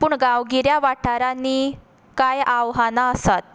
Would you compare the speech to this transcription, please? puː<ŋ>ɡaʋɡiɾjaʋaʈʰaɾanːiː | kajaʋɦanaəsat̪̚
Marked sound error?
yes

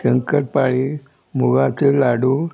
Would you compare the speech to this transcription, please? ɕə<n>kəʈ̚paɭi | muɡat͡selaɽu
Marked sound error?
yes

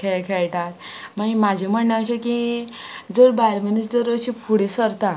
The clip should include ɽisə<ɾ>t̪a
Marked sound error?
no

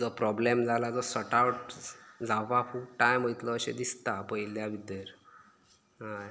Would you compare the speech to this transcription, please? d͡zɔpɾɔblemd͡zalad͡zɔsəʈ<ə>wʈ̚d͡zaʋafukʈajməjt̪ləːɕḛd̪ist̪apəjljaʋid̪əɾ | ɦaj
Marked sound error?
yes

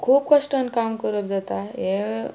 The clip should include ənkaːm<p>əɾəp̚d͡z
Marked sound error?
yes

